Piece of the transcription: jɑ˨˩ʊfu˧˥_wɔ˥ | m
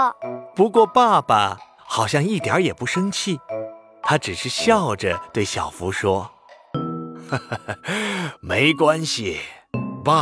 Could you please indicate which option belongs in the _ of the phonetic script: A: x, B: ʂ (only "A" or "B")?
B